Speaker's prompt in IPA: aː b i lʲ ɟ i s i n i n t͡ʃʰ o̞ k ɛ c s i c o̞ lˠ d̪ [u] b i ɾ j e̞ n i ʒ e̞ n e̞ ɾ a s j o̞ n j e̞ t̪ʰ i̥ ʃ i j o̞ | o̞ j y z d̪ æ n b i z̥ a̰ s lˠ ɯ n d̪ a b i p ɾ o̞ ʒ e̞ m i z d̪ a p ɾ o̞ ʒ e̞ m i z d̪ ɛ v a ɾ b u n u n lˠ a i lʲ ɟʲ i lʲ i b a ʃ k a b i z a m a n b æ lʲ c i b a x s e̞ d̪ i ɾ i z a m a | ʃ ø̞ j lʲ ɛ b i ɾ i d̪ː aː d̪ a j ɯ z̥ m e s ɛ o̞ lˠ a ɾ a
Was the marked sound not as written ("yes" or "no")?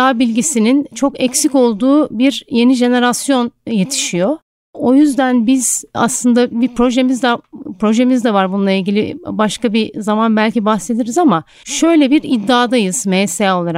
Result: yes